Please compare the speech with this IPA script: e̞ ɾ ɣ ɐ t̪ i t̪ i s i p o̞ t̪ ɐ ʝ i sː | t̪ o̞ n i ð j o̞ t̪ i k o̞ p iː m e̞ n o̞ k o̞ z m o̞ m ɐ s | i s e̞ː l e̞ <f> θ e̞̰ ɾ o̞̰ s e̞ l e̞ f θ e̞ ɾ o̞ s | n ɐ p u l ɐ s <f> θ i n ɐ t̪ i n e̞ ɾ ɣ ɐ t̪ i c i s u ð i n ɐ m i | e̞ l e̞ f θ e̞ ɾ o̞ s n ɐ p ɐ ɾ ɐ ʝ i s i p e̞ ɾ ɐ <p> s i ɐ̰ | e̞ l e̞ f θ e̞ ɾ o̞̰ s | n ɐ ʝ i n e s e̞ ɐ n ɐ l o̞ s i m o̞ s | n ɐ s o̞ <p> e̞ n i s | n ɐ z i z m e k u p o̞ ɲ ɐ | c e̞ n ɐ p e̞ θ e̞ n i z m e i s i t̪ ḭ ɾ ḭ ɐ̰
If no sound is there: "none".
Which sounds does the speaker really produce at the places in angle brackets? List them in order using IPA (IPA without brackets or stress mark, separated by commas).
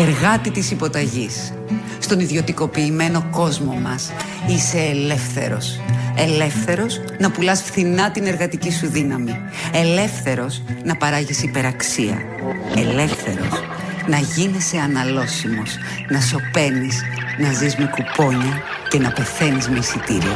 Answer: f, f, k, p